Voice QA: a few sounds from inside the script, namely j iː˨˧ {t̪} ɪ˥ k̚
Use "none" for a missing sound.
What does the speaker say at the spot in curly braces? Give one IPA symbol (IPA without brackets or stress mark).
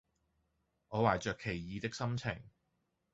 t̪